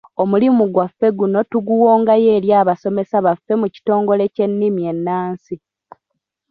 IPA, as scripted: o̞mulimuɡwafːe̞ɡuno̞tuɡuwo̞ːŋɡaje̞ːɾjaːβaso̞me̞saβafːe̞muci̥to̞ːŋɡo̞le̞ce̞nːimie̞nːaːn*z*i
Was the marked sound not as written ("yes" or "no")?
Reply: yes